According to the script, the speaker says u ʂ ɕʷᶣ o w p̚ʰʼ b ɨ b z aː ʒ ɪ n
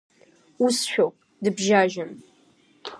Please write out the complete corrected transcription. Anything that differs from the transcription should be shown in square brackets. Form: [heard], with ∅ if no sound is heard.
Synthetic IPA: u [s] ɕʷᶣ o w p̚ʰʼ [d] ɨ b [ʒ] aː ʒ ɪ [m]

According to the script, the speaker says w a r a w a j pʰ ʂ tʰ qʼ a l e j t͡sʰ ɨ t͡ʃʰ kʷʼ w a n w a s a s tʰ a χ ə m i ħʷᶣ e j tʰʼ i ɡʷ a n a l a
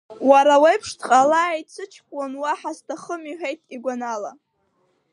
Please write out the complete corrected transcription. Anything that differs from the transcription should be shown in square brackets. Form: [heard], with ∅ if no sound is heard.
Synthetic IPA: w a [ɾ] a w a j pʰ ʂ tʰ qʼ a l [a] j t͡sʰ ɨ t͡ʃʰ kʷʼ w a n w a [ħ] a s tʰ a χ ə m i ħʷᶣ e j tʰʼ i ɡʷ a n a l a

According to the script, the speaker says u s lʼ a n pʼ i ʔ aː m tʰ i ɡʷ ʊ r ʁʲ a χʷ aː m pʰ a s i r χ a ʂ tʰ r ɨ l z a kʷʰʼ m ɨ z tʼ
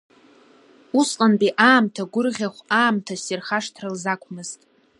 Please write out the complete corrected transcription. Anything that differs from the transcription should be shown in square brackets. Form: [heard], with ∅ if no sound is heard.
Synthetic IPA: u s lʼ a n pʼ i ʔ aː m tʰ [a] ɡʷ ʊ r ʁʲ a χʷ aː m [tʰ] a s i r χ a ʂ tʰ r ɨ l z a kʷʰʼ m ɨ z tʼ

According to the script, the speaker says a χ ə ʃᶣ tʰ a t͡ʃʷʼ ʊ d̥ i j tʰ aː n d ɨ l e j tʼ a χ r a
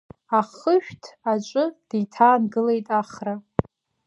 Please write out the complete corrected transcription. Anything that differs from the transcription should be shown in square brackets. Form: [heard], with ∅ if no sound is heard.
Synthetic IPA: a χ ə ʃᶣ tʰ a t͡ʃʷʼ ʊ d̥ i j tʰ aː n [ɡ] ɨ l e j tʼ a χ r a

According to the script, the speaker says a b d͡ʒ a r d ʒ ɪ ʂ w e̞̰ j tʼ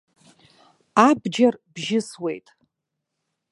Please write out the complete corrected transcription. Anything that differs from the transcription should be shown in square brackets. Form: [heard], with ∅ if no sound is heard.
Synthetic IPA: a b d͡ʒ a r [b] ʒ ɪ [s] w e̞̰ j tʼ

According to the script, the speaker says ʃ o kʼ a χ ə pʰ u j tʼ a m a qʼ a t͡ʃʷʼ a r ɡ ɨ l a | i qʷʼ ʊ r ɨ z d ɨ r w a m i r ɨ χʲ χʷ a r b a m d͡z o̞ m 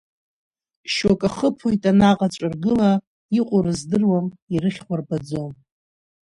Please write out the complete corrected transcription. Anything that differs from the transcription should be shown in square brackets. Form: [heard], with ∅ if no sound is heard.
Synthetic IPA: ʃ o kʼ a χ ə pʰ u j tʼ a [n] a qʼ a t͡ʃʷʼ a r ɡ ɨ l a | i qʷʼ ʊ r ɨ z d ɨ r w a m i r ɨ χʲ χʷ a r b a [∅] d͡z o̞ m

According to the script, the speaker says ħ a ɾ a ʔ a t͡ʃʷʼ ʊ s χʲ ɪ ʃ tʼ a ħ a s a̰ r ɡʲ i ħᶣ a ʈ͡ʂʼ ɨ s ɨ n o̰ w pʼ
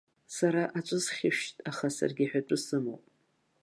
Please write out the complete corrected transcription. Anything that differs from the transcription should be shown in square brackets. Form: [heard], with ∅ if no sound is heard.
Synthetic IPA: [s] a ɾ a ʔ a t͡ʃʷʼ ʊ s χʲ ɪ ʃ tʼ a [χ] a s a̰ r ɡʲ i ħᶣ a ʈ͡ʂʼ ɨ s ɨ [m] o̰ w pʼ

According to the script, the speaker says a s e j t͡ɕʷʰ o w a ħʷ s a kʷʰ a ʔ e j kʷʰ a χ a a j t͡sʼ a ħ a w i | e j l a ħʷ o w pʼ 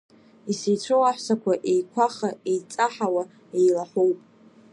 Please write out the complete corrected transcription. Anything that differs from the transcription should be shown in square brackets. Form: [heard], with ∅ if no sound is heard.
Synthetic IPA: [i] s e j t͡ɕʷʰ o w a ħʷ s a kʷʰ a ʔ e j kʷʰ a χ a [e] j t͡sʼ a ħ a w [a] | e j l a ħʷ o w pʼ

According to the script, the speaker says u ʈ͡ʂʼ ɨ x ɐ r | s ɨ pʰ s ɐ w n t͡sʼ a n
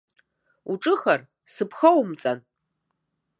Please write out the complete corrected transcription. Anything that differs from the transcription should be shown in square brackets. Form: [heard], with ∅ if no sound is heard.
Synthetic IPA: u ʈ͡ʂʼ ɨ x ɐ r | s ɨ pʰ [x] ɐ w [m] t͡sʼ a n

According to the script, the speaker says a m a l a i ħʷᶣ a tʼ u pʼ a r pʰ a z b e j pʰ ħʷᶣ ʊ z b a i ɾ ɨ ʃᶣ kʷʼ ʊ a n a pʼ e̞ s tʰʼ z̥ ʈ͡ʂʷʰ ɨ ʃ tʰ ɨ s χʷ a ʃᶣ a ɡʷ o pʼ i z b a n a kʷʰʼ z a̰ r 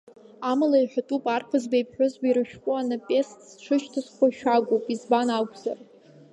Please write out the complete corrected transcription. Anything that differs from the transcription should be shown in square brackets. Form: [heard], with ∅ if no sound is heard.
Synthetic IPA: a m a l a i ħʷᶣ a tʼ u pʼ a r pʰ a z b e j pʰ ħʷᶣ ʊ z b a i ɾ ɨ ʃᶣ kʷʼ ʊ a n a pʼ e̞ s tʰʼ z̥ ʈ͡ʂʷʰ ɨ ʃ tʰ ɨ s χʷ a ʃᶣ a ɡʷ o pʼ i z b a n a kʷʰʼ z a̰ r

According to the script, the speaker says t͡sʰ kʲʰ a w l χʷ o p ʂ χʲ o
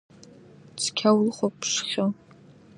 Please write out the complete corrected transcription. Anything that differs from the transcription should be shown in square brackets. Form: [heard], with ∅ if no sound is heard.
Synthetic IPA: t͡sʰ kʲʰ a w l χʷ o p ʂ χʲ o

